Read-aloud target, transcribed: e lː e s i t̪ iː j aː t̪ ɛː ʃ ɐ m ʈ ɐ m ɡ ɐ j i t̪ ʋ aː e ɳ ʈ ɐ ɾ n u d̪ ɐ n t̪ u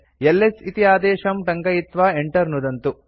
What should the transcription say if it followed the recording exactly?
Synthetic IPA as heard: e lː e s i t̪ i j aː d̪ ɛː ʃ ɐ m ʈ ɐ ŋ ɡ ɐ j i t̪ ʋ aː e ɳ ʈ ɐ ɾ n u d̪ ɐ n t̪ u